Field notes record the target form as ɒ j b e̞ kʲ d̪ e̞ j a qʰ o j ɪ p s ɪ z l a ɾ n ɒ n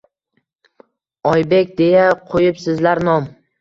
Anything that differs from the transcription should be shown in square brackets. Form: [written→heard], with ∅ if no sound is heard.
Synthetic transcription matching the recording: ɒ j b e̞ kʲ d̪ e̞ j a qʰ o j ɪ p s ɪ z l a ɾ n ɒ [n→m]